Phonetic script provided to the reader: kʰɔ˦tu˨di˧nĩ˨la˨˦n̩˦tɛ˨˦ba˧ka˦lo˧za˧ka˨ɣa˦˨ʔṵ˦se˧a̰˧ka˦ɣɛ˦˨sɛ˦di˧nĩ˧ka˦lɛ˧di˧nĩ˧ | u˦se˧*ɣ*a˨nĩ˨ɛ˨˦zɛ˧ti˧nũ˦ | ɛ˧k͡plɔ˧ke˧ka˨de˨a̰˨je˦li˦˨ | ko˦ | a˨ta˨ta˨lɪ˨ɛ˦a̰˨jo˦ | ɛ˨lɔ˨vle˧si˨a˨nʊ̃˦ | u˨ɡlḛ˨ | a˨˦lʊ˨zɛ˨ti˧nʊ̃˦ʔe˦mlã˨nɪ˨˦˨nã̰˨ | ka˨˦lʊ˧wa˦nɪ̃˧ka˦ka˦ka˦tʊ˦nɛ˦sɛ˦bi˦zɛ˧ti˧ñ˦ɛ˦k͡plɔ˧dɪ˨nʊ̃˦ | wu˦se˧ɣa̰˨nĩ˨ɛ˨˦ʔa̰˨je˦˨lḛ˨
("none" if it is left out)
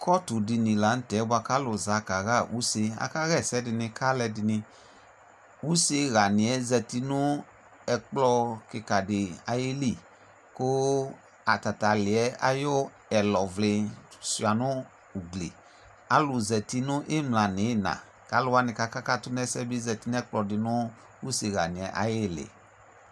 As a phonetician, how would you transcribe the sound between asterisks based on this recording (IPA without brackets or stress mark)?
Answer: ɣ